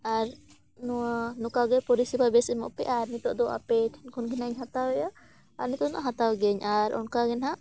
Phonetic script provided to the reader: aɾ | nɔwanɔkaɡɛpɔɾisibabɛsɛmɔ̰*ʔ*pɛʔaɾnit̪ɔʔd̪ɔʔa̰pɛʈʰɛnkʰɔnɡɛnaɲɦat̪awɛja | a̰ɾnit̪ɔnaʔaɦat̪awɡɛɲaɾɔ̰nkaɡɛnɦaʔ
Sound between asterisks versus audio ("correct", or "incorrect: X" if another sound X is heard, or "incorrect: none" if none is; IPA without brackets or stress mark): correct